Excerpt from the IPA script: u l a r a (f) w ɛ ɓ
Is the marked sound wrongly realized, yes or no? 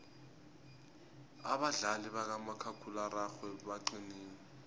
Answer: yes